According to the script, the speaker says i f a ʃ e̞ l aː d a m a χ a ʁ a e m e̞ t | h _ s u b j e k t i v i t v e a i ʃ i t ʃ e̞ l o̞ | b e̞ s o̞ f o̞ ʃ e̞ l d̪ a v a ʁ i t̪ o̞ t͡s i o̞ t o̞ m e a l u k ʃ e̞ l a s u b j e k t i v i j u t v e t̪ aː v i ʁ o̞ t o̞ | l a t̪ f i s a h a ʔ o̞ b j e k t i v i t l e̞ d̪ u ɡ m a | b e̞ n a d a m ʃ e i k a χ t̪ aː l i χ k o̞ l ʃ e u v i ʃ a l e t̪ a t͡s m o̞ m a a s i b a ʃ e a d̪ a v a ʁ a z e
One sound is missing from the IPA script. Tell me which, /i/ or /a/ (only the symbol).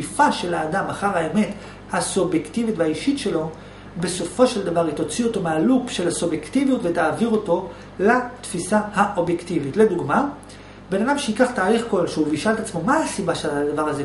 a